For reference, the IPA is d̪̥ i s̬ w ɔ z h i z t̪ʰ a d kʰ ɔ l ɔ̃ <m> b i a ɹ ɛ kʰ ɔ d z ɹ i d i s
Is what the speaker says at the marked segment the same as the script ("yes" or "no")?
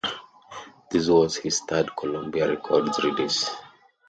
yes